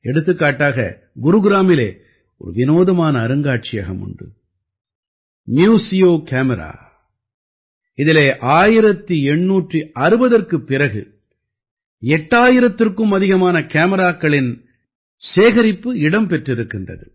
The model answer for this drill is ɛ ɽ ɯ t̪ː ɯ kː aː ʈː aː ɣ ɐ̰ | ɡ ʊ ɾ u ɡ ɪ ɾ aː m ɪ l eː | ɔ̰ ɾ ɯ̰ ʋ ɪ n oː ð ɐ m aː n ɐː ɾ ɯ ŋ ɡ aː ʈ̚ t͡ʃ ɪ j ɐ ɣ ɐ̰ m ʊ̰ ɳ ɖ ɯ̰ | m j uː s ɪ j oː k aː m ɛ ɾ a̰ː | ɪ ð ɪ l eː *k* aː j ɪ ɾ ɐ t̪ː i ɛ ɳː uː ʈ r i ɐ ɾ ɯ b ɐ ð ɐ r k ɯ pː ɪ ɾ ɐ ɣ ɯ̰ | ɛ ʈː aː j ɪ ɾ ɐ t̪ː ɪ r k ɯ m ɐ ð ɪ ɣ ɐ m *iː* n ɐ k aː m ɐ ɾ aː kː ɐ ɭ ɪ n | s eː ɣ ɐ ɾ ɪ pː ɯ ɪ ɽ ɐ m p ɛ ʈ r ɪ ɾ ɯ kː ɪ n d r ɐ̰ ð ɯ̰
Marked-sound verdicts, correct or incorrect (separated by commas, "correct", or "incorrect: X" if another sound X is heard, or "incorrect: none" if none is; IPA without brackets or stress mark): incorrect: ʔ, incorrect: aː